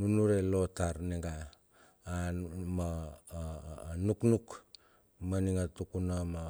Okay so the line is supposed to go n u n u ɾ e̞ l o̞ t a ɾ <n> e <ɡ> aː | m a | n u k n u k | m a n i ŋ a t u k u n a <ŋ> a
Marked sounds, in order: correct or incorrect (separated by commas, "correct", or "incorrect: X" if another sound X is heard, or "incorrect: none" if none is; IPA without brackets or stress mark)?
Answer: correct, correct, incorrect: m